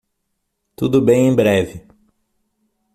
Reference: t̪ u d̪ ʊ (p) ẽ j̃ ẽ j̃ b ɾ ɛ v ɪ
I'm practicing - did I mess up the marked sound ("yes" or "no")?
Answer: yes